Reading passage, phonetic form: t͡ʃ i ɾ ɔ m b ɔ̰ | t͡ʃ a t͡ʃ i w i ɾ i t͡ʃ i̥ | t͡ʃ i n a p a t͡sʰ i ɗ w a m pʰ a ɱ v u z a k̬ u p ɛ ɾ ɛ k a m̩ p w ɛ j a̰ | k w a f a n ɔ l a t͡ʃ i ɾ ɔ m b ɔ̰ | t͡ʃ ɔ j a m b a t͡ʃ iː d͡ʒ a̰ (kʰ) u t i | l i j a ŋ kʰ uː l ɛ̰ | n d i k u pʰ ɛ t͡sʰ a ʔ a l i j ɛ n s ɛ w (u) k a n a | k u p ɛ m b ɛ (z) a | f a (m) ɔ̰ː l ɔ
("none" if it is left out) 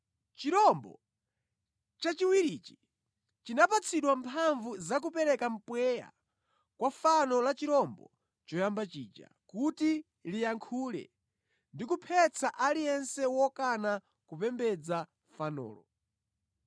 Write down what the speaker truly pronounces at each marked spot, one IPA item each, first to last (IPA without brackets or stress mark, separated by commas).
k, ɔ, d͡z, n